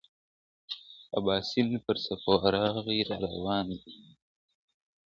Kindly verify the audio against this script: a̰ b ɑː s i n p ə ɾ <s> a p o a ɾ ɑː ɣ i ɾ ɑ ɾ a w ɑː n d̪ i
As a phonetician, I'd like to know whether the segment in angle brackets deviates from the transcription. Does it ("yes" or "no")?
no